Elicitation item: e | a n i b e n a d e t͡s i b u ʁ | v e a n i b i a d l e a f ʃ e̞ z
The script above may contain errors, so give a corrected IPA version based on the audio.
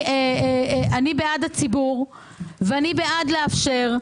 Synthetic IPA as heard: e | a n i b e a d a t͡s i b u ʁ | v e a n i b e a d l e a f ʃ e̞ ʁ